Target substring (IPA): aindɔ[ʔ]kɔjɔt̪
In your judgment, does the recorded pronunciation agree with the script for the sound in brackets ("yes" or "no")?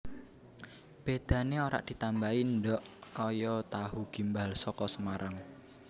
yes